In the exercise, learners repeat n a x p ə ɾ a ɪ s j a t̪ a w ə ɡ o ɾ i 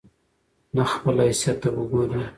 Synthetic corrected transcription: n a x p ə l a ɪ s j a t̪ a w ə ɡ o ɾ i